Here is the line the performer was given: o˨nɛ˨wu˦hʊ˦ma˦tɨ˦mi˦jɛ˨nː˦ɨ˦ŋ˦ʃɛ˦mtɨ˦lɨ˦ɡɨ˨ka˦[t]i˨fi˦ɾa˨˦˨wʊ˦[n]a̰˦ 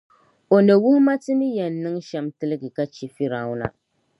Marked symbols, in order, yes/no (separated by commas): no, yes